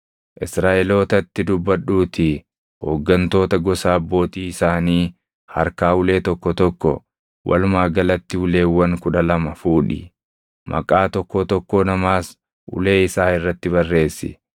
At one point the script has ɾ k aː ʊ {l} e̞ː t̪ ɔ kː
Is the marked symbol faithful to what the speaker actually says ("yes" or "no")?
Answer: yes